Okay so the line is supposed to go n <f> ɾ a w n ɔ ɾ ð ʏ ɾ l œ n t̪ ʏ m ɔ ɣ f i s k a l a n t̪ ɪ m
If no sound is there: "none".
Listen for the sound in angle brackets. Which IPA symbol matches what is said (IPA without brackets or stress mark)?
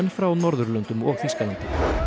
f